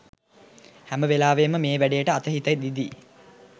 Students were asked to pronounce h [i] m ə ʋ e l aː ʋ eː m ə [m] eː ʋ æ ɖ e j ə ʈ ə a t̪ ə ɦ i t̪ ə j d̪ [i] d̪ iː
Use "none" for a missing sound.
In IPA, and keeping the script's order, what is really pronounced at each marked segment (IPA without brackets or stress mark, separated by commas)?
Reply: æ, m, i